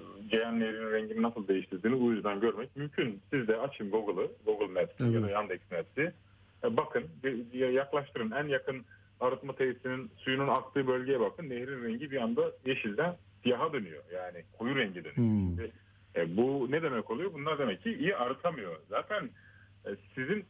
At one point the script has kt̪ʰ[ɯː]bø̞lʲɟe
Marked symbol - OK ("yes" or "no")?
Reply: yes